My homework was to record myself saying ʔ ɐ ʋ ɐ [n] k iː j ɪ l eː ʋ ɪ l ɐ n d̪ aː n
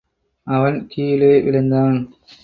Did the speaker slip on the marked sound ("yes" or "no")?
no